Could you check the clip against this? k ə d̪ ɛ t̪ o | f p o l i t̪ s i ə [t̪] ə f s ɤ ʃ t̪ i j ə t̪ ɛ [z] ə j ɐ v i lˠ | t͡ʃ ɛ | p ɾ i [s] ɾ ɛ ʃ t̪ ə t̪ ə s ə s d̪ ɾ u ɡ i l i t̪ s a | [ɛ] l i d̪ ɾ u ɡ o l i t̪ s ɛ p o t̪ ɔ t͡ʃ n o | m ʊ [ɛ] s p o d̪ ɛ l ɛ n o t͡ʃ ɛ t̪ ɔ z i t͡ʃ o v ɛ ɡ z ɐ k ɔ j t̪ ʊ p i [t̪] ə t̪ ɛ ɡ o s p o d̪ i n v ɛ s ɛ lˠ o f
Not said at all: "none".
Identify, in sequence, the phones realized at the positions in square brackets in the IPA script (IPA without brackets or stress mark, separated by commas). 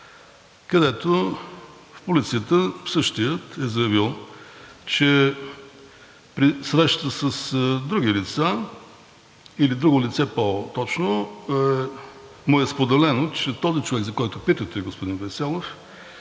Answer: t̪, z, s, i, ɛ, t̪